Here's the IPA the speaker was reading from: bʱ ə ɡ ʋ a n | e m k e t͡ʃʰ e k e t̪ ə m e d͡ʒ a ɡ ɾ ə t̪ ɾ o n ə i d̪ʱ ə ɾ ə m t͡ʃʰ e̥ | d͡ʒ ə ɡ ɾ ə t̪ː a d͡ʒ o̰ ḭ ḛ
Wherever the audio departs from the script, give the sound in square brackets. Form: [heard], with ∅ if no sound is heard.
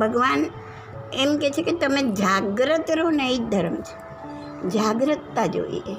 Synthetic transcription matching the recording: bʱ ə ɡ ʋ a n | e m k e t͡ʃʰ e k e t̪ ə m e d͡ʒ a ɡ ɾ ə t̪ ɾ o n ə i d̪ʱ ə ɾ ə m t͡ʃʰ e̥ | d͡ʒ [a] ɡ ɾ ə t̪ː a d͡ʒ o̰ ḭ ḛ